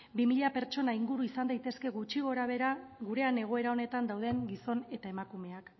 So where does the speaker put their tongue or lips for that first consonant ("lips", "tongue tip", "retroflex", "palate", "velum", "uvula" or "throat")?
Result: lips